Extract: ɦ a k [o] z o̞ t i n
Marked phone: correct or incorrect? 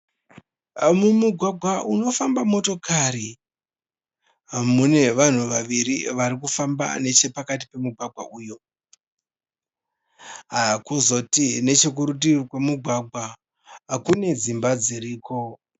incorrect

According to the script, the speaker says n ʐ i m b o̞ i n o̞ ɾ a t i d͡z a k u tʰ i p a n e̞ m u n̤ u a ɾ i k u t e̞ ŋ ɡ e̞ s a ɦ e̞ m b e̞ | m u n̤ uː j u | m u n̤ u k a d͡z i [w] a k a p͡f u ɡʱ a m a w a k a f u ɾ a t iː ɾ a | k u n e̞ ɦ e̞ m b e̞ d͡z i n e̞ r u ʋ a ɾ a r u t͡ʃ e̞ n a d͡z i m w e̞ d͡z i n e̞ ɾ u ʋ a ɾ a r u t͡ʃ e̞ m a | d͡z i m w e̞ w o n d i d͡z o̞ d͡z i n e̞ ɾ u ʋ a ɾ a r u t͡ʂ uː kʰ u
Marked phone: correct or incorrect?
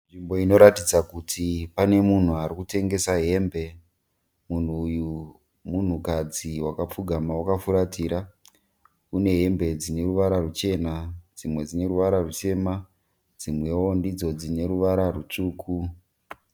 correct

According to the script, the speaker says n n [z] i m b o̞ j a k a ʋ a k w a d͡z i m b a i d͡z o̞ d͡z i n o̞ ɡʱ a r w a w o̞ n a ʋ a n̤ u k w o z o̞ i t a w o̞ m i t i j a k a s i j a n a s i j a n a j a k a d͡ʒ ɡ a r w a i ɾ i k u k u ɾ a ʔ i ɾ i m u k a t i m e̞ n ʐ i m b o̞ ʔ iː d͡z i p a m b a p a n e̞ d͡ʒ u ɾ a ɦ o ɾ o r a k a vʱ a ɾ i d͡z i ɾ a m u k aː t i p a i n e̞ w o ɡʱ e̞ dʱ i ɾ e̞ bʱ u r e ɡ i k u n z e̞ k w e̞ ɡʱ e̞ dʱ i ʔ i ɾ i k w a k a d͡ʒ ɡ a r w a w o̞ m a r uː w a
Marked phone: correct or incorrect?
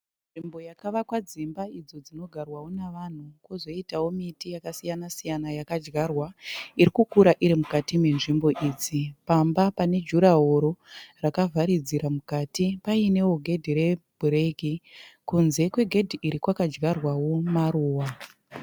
incorrect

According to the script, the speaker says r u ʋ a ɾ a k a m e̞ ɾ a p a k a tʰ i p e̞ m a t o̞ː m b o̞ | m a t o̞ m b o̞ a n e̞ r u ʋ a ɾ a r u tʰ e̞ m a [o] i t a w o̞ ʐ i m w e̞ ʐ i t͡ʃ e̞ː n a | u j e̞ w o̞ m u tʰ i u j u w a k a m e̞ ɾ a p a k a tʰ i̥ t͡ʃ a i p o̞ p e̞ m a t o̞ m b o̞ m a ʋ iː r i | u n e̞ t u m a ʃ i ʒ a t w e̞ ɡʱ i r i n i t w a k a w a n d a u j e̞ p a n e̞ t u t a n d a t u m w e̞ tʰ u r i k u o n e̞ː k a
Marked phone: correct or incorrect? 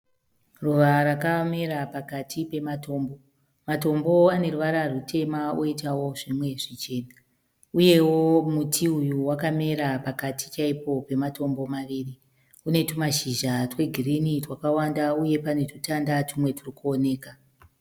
correct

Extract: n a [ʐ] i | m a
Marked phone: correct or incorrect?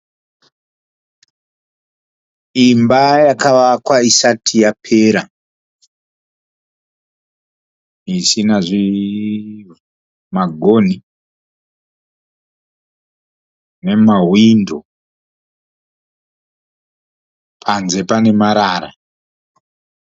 correct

